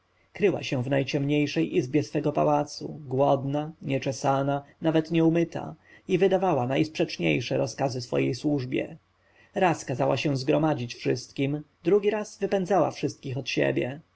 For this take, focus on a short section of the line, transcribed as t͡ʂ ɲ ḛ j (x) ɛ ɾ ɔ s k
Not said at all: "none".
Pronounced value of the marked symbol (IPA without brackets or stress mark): ʂ